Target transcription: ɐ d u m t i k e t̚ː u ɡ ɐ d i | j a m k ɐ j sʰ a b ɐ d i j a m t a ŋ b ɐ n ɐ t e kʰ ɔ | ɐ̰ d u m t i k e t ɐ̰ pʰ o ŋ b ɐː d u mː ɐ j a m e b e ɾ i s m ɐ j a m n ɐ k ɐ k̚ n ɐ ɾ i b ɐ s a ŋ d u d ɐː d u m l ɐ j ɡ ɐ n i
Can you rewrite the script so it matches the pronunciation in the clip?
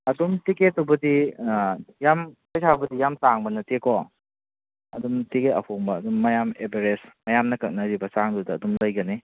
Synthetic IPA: ɐ d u m t i k e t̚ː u b ɐ d i | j a m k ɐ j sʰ a b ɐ d i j a m t a ŋ b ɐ n ɐ t e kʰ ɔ | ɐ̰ d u m t i k e t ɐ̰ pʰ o ŋ b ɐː d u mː ɐ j a m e b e ɾ e s m ɐ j a m n ɐ k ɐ k̚ n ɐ ɾ i b ɐ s a ŋ d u d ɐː d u m l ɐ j ɡ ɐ n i